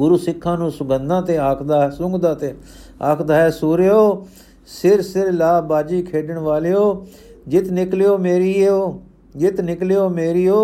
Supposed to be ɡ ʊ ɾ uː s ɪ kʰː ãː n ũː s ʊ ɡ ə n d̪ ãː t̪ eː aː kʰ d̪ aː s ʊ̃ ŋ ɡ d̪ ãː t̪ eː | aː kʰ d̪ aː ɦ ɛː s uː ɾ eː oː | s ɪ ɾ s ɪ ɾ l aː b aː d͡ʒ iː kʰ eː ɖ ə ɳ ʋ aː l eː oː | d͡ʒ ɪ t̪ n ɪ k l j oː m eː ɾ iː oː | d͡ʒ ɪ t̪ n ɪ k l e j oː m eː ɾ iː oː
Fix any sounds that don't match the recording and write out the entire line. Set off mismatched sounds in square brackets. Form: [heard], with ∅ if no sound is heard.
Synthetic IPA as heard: ɡ ʊ ɾ uː s ɪ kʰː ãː n ũː s ʊ ɡ ə n d̪ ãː t̪ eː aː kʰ d̪ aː s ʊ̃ ŋ ɡ d̪ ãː t̪ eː | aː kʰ d̪ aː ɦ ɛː s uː ɾ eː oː | s ɪ ɾ s ɪ ɾ l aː b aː d͡ʒ iː kʰ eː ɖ ə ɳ ʋ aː l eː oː | d͡ʒ ɪ t̪ n ɪ k l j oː m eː ɾ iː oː | d͡ʒ ɪ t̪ n ɪ k l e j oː m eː ɾ iː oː